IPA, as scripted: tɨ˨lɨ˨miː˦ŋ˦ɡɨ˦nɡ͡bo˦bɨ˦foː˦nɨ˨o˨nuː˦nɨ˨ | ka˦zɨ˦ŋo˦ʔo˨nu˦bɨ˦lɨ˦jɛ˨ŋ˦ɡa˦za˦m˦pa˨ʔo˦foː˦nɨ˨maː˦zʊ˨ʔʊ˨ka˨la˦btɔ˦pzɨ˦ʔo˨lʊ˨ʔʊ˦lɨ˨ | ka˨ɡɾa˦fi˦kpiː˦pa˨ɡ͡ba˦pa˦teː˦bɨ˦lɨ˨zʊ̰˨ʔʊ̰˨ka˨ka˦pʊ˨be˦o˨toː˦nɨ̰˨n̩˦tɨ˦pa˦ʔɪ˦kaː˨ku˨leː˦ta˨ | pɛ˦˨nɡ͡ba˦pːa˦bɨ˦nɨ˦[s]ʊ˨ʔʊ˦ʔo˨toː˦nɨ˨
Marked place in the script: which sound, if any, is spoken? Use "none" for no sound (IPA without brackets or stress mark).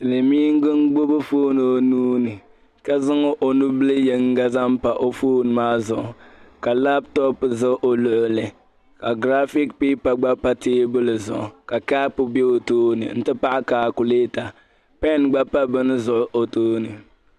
z